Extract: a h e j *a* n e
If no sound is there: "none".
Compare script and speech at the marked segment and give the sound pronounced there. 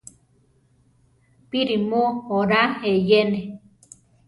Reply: e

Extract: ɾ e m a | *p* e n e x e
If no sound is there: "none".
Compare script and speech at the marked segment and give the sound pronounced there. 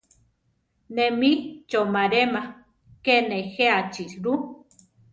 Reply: k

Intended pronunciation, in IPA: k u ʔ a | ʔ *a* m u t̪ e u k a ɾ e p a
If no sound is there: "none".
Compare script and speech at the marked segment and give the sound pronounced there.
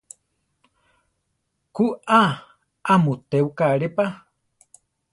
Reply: a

